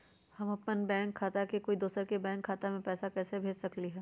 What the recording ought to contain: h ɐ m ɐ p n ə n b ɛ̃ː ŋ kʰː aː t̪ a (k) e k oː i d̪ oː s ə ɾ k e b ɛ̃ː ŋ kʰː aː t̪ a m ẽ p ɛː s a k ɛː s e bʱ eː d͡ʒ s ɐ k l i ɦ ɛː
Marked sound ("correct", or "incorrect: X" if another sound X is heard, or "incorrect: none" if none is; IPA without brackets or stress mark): correct